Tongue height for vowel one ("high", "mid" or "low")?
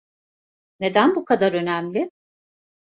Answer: mid